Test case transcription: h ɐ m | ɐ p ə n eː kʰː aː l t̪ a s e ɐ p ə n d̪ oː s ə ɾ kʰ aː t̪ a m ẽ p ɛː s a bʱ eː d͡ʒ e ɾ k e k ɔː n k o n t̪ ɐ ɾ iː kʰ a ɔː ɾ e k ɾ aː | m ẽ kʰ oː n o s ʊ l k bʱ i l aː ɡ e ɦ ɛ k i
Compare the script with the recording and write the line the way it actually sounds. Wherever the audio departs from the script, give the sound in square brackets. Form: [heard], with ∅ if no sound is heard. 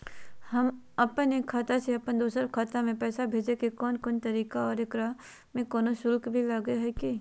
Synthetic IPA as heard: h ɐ m | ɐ p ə n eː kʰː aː [∅] t̪ a s e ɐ p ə n d̪ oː s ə ɾ kʰ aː t̪ a m ẽ p ɛː s a bʱ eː d͡ʒ e [∅] k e k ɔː n k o n t̪ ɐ ɾ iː [k] a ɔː ɾ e k ɾ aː | m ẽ [k] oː n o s ʊ l k bʱ i l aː ɡ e ɦ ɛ k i